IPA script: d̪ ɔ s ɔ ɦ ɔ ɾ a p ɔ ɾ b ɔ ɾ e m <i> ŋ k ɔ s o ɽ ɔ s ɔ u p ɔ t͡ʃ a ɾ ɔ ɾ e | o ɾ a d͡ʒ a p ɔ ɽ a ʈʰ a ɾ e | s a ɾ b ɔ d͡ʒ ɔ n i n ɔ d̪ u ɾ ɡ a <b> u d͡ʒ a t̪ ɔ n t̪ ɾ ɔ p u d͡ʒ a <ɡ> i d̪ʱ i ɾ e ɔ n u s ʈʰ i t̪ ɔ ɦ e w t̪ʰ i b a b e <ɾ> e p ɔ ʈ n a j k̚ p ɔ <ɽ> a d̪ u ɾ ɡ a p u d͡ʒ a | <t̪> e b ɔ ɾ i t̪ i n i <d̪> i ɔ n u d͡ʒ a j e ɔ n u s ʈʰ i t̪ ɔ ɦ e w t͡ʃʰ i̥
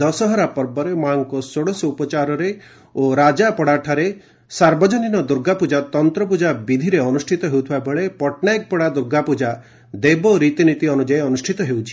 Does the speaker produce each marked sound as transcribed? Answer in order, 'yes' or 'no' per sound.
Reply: no, no, no, no, yes, no, no

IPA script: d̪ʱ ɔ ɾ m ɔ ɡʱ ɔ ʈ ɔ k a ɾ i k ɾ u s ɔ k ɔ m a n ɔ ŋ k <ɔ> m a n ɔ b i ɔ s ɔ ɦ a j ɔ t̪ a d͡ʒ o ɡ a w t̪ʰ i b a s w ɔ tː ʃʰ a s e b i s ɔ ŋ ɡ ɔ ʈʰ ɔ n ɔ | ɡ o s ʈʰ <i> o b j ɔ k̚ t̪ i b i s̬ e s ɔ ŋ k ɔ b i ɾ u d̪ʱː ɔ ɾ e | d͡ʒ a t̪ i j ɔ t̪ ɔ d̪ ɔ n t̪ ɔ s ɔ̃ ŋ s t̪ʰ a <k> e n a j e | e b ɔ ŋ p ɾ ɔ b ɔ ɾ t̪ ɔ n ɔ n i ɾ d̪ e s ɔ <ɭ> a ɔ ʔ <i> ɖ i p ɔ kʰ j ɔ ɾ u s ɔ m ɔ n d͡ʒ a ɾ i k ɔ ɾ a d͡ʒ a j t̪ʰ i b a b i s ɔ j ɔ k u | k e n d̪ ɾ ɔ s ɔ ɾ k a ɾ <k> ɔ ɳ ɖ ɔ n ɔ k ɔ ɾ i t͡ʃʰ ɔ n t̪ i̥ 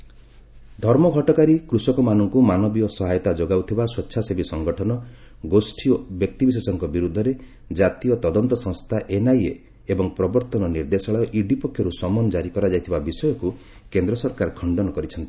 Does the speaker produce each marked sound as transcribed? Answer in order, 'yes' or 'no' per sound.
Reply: no, yes, no, yes, yes, no

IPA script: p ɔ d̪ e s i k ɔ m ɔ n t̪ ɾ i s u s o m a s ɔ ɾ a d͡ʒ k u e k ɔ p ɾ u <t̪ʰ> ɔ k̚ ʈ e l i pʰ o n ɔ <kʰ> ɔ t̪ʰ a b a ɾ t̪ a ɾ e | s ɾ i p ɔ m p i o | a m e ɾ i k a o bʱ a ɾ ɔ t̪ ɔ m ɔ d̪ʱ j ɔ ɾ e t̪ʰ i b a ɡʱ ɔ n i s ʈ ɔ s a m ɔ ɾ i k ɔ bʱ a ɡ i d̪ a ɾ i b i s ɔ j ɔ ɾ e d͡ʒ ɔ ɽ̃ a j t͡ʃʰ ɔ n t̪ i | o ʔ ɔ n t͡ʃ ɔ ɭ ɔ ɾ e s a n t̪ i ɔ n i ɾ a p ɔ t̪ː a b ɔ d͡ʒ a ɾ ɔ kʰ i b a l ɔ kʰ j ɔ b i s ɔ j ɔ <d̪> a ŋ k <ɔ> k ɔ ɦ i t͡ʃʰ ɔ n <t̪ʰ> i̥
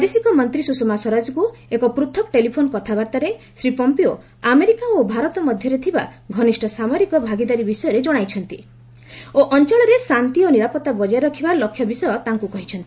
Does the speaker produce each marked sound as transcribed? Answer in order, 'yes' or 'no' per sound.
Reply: yes, no, no, no, no

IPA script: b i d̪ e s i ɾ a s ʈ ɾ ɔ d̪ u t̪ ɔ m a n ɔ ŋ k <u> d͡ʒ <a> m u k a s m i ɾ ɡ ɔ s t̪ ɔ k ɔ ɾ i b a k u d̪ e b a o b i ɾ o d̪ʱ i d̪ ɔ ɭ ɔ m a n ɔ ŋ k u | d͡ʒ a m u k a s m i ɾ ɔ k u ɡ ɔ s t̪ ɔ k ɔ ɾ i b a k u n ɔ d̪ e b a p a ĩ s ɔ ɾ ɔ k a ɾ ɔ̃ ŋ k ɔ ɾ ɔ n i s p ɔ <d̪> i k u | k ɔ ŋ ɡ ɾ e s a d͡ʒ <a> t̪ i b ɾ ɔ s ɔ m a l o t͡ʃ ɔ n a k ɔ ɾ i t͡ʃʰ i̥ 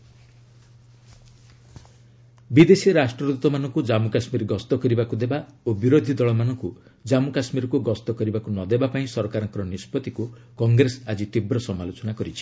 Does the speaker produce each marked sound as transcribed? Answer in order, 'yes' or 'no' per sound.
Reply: yes, yes, no, no

